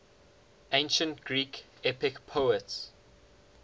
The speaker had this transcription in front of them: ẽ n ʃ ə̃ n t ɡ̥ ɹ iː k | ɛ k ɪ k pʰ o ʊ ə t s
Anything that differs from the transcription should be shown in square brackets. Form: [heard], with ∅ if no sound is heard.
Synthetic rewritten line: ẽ n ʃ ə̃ n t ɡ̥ ɹ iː k | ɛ [p] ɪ k pʰ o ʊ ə t s